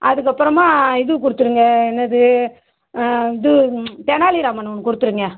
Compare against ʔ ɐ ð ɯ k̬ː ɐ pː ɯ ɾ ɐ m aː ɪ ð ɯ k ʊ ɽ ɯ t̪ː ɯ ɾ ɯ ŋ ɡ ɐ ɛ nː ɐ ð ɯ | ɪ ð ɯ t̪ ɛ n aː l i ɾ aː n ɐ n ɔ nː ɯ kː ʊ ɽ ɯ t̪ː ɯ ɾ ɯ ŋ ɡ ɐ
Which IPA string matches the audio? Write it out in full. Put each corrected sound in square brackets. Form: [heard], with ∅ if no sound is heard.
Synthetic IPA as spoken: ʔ ɐ ð ɯ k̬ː ɐ pː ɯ ɾ ɐ m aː ɪ ð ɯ k ʊ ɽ ɯ t̪ː ɯ ɾ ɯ ŋ ɡ ɐ ɛ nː ɐ ð ɯ | ɪ ð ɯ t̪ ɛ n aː l i ɾ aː [m] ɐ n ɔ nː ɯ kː ʊ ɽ ɯ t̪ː ɯ ɾ ɯ ŋ ɡ ɐ